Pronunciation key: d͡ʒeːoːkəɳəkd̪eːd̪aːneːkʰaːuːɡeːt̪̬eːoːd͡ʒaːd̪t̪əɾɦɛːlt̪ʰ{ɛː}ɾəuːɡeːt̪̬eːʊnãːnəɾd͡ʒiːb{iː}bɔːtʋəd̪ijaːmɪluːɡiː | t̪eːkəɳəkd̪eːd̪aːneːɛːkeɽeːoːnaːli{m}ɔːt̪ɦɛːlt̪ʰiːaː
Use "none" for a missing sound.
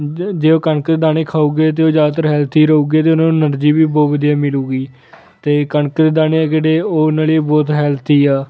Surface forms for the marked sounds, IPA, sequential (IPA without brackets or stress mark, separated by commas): iː, iː, b